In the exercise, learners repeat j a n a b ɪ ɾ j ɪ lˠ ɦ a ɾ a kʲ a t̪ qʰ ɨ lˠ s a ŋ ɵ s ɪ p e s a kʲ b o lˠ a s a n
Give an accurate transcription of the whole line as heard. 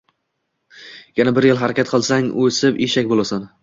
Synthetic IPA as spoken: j a n a b ɪ ɾ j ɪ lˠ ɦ a ɾ a kʲ a t̪ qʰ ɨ lˠ s a ŋ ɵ s ɪ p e ʃ a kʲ b o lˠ a s a n